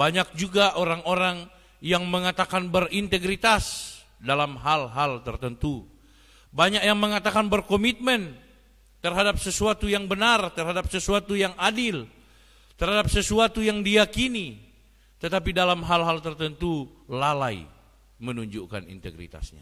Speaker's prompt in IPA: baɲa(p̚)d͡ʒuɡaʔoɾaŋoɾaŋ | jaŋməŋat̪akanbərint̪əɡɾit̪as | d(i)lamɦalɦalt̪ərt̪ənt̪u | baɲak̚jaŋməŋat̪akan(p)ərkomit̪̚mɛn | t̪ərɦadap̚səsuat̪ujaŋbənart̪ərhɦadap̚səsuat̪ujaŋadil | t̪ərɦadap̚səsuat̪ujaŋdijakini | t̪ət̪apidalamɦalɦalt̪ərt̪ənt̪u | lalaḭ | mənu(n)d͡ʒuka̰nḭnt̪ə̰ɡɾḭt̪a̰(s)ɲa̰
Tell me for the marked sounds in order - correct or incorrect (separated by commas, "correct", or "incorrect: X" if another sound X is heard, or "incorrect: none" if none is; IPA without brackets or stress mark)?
incorrect: k̚, incorrect: a, incorrect: b, incorrect: ɲ, correct